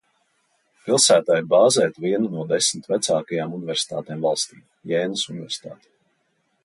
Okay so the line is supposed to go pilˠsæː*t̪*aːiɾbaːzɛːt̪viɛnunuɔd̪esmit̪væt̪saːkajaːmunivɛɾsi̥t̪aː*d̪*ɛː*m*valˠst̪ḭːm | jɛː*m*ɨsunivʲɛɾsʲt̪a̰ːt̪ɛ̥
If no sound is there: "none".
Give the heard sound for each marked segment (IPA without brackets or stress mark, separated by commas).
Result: t̪, t̪, m, n